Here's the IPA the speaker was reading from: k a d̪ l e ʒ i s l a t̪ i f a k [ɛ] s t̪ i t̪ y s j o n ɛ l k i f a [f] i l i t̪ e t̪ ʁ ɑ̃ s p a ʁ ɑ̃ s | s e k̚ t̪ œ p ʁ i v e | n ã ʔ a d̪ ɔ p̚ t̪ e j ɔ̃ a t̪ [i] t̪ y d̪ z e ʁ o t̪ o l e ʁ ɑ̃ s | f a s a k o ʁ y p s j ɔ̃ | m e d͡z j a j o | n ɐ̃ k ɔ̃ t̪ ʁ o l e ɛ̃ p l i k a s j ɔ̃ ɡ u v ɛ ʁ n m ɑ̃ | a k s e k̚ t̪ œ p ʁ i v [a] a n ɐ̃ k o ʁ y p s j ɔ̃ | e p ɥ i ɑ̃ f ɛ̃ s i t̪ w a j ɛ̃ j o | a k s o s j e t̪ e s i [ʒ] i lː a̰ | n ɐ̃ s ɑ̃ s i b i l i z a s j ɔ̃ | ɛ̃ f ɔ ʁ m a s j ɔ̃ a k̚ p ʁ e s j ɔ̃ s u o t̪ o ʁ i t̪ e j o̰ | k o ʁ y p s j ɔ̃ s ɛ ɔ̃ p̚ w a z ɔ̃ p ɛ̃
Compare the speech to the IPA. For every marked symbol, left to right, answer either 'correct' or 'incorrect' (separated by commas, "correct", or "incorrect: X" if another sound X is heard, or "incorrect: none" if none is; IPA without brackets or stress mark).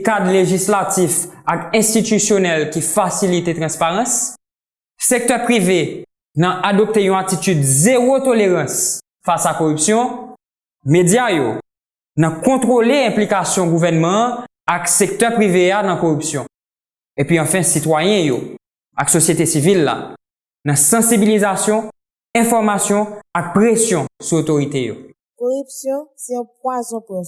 incorrect: ɛ̃, incorrect: s, correct, incorrect: e, incorrect: v